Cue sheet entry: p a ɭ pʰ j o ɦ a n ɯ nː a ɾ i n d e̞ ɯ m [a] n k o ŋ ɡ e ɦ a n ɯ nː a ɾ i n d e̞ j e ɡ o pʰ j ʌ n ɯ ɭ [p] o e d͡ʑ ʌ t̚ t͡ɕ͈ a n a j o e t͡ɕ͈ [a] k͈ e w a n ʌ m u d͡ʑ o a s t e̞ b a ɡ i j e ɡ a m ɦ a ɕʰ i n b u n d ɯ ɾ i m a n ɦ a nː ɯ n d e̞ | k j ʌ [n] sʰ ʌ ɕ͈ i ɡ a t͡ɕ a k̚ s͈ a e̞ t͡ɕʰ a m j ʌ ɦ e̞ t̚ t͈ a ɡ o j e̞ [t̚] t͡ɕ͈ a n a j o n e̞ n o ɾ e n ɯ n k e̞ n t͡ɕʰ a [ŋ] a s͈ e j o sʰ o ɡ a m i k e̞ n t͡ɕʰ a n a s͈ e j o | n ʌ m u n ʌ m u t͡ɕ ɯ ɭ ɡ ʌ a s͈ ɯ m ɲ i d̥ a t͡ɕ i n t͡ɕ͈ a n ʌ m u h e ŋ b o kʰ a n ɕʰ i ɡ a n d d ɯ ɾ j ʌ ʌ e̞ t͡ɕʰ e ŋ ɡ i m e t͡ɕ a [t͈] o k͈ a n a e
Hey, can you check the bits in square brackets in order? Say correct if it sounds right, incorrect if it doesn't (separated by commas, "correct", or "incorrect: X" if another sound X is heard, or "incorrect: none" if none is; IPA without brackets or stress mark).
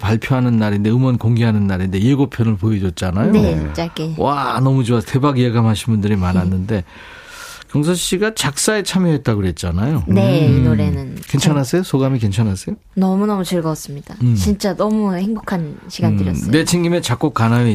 incorrect: ʌ, correct, correct, incorrect: ŋ, correct, incorrect: n, incorrect: k͈